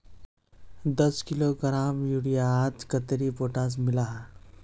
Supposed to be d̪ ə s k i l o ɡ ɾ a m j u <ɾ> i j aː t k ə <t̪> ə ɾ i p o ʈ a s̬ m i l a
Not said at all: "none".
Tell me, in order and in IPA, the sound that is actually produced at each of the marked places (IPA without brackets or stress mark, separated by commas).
ɽ, t̪